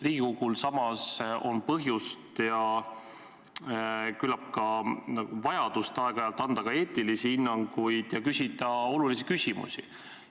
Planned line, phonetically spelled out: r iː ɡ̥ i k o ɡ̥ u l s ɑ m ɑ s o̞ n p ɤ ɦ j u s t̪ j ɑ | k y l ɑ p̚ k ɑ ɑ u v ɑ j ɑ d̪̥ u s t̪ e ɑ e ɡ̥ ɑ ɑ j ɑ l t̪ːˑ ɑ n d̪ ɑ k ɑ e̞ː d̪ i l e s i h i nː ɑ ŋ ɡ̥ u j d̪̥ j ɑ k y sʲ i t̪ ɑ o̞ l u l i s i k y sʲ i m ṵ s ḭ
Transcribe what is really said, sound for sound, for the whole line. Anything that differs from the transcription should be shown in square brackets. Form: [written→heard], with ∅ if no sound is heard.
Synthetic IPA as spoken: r iː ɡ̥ i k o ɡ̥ u l s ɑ m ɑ s o̞ n p ɤ ɦ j u s t̪ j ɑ | k y l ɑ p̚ k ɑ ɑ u v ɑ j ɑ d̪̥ u s t̪ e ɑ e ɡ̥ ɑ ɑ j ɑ l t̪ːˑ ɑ n d̪ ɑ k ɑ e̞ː [d̪→t̪] i l [e→i] s i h i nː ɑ ŋ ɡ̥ u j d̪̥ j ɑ k y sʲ i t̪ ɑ o̞ l u l i s i k y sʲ i m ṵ s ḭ